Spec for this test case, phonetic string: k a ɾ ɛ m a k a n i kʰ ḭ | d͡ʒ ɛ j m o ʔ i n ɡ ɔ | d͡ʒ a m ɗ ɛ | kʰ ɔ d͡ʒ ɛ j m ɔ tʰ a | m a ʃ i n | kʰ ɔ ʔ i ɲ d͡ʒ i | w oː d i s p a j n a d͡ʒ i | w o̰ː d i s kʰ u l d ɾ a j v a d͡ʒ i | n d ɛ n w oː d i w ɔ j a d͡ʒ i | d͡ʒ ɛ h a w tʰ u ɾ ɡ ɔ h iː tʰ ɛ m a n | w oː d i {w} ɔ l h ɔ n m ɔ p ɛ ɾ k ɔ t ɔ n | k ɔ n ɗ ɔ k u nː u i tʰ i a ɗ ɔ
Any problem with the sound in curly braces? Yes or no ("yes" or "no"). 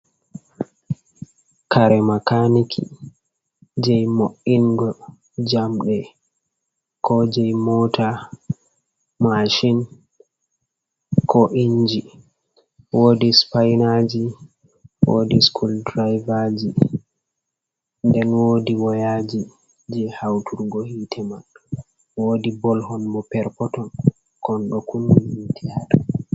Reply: yes